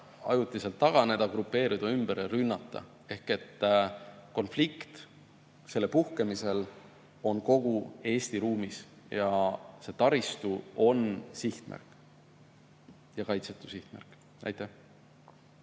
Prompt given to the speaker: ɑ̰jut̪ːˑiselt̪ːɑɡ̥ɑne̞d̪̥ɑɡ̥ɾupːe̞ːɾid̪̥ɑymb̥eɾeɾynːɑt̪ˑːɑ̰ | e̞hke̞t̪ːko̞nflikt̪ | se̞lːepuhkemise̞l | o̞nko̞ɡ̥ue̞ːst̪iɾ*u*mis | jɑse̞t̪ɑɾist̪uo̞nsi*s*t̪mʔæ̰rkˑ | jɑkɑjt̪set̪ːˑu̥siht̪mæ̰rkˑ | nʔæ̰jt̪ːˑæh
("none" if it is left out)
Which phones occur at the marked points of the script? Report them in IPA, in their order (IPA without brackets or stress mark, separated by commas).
uː, h